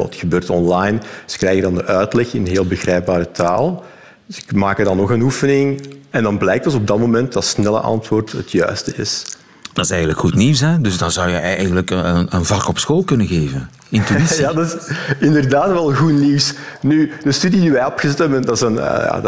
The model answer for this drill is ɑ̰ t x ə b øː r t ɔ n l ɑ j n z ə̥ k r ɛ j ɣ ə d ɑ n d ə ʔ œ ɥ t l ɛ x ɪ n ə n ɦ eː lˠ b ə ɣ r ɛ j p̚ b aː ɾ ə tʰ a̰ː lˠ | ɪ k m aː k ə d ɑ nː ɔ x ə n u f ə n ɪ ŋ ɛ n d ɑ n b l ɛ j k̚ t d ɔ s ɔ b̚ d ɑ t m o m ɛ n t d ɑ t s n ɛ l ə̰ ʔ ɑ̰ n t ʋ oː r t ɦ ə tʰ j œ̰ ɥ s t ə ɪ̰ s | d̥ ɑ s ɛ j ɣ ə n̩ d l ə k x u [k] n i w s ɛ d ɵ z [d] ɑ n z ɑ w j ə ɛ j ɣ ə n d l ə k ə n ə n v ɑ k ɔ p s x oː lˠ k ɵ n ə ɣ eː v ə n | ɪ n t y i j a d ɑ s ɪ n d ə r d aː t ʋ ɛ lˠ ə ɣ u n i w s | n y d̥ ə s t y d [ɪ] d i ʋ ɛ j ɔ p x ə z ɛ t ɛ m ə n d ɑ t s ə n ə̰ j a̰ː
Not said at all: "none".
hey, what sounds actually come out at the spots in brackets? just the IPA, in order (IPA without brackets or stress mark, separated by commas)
t, d, i